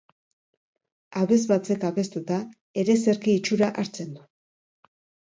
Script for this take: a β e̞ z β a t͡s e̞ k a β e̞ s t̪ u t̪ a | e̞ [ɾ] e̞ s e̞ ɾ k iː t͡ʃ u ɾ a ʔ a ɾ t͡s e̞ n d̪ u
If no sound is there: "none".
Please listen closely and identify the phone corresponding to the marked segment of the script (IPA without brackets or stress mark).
ɾ